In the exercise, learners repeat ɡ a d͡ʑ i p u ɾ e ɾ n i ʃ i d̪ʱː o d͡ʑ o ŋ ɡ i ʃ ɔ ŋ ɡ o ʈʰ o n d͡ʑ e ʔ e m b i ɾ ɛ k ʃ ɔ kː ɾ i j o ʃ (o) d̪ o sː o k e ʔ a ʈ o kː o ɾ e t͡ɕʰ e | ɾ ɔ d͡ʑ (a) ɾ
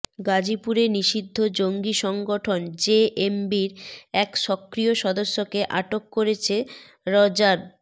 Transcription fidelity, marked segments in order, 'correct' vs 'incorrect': incorrect: ɔ, correct

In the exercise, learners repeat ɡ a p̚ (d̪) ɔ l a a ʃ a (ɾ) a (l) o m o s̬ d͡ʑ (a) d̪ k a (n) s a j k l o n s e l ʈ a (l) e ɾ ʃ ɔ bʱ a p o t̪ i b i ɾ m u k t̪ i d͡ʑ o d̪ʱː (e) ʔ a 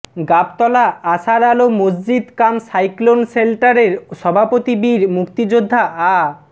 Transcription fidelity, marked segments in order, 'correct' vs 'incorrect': incorrect: t̪, correct, correct, incorrect: i, incorrect: m, incorrect: ɾ, incorrect: a

